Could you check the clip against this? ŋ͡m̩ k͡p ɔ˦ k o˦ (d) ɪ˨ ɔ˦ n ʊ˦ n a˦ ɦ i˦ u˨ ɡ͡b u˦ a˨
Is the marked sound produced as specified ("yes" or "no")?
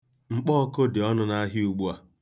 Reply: yes